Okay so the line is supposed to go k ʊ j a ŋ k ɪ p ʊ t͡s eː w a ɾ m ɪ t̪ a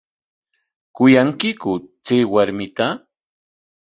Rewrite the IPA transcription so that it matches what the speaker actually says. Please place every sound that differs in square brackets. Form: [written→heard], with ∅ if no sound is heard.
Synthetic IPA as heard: k ʊ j a ŋ k ɪ [p→k] ʊ t͡s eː w a ɾ m ɪ t̪ a